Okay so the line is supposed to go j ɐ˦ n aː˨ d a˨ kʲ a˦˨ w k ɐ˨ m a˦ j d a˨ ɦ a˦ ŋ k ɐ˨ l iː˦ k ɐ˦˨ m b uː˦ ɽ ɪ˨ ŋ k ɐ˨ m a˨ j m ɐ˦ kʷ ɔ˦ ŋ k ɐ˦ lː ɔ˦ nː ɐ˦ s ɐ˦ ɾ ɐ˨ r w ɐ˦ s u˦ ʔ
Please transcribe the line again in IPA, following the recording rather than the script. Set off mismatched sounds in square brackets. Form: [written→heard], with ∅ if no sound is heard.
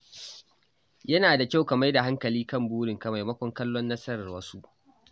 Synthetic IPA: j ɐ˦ n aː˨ d a˨ kʲ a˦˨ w k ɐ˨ m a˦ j d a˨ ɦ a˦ ŋ k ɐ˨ l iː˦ k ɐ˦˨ m b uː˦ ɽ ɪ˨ ŋ k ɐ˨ m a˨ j m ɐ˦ kʷ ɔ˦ ŋ k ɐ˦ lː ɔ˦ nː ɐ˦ s ɐ˦ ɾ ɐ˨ r w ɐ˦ s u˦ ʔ